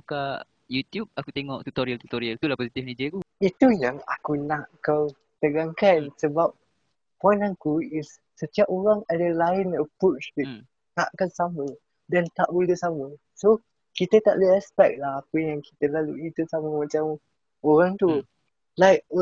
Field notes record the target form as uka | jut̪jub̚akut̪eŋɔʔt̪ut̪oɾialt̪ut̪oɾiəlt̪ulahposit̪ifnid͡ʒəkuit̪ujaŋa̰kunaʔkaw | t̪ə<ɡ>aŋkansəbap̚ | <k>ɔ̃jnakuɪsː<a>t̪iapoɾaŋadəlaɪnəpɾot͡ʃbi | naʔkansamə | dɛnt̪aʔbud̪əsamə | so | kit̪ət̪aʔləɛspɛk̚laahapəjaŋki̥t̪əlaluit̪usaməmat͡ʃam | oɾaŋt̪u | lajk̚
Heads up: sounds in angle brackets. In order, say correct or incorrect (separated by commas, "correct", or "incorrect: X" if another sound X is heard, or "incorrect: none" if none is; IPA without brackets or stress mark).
correct, incorrect: p, incorrect: ə